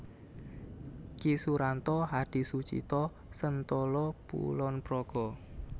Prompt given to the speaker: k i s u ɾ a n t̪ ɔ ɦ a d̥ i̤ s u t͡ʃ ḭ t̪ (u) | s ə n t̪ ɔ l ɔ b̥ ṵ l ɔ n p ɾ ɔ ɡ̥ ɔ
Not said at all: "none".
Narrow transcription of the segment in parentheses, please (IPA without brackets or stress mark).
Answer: ɔ